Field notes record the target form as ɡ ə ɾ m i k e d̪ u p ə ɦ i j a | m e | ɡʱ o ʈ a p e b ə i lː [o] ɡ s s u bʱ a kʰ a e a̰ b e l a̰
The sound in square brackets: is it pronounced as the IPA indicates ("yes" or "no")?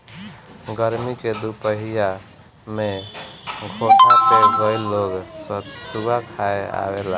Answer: yes